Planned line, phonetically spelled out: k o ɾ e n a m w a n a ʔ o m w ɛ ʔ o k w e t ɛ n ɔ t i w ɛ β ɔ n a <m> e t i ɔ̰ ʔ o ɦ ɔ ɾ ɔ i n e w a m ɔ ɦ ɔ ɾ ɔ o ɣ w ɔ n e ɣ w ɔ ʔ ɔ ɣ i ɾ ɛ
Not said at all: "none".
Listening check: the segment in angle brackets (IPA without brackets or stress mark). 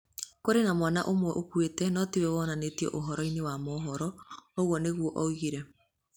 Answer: n